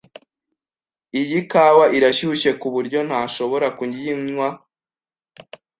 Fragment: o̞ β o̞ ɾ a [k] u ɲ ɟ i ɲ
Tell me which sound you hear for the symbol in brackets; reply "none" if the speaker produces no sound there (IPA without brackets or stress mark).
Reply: k